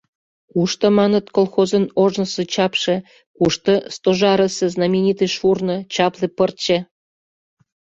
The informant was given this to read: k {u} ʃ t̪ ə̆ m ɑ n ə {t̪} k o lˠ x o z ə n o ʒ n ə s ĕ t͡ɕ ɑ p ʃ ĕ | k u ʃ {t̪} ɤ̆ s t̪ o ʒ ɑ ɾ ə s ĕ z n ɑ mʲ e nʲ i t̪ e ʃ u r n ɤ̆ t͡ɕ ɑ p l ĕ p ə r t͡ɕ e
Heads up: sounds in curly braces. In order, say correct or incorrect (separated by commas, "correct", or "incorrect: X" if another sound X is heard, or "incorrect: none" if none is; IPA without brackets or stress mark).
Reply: correct, correct, correct